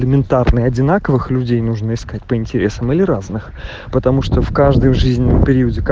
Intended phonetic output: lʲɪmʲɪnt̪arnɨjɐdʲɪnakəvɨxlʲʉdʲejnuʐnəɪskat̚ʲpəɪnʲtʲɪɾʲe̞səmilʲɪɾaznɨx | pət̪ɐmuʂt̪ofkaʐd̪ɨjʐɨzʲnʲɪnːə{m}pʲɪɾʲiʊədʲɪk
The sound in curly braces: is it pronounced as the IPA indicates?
yes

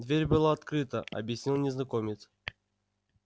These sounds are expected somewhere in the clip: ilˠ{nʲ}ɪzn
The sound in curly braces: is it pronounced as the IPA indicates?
yes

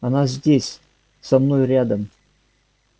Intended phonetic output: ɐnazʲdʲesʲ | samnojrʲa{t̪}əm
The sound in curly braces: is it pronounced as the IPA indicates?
no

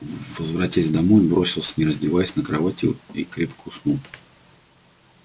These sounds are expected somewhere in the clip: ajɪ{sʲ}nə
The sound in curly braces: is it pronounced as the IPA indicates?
yes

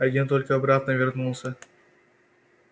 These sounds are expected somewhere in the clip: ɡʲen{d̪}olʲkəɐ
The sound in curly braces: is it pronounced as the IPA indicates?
no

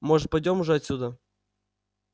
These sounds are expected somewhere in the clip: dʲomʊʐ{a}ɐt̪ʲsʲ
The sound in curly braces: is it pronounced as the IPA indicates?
no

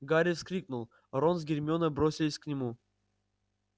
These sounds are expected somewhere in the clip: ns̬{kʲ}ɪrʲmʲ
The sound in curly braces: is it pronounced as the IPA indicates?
no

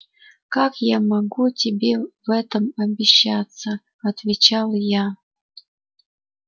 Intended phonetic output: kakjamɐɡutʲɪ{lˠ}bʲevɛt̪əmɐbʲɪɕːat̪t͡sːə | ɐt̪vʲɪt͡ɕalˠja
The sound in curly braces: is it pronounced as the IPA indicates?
no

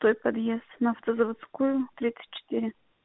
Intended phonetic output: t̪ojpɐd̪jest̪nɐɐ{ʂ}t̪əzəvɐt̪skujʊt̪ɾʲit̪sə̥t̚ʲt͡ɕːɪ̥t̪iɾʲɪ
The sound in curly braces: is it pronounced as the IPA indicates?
no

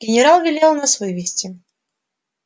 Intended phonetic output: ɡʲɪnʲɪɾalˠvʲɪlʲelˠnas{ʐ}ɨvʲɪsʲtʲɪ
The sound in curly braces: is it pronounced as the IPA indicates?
no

